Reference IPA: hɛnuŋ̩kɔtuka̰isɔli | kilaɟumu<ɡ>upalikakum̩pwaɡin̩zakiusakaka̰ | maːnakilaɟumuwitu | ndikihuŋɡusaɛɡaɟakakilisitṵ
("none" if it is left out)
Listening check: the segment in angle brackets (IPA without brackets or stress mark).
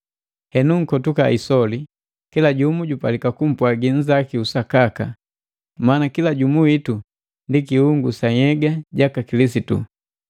ɟ